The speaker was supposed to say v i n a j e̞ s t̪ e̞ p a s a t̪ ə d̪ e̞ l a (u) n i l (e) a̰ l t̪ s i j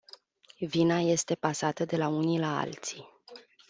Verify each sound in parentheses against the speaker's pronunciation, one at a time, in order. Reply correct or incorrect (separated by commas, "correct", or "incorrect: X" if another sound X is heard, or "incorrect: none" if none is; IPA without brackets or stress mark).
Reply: correct, incorrect: a